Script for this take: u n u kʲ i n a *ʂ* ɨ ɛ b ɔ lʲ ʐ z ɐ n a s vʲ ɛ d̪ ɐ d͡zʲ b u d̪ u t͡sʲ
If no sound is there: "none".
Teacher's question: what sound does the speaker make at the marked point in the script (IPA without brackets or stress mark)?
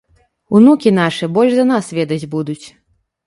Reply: ʂ